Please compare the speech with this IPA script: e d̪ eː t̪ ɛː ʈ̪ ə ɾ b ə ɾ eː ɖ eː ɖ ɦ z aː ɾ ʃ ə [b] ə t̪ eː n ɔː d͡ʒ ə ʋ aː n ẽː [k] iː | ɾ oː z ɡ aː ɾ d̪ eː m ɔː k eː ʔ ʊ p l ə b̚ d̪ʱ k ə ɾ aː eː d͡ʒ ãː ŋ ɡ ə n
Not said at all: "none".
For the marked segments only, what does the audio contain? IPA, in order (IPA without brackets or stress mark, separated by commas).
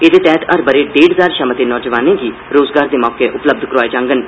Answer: m, ɡ